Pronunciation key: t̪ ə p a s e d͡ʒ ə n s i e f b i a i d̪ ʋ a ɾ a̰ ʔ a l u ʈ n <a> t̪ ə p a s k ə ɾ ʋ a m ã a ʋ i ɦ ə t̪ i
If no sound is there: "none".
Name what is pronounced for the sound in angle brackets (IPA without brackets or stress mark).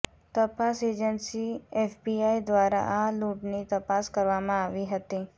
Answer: i